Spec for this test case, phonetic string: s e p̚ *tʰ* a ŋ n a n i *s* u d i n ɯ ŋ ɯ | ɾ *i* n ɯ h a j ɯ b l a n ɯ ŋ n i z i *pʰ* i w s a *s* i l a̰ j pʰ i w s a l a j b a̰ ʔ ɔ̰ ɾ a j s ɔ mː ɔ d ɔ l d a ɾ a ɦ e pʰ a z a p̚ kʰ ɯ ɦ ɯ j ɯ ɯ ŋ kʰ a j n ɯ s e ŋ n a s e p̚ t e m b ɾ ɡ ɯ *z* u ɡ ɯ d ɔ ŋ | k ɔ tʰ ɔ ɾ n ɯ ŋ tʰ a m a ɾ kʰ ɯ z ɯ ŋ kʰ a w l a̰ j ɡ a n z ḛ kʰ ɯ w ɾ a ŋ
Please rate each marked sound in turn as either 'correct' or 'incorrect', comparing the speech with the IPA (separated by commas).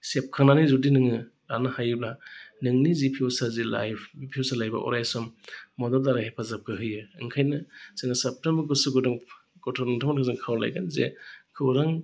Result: incorrect, incorrect, incorrect, correct, incorrect, incorrect